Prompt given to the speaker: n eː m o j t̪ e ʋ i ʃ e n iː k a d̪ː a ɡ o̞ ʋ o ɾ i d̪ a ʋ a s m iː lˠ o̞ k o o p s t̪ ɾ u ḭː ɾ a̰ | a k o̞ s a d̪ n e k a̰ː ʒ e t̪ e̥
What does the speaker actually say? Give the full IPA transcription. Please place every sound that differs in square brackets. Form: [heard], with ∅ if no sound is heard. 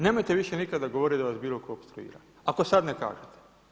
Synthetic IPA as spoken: n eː m o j t̪ e ʋ i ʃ e n [i] k a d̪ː a ɡ o̞ ʋ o ɾ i d̪ a ʋ a s [b] iː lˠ o̞ k o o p s t̪ ɾ u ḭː ɾ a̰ | a k o̞ s a d̪ n e k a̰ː ʒ e t̪ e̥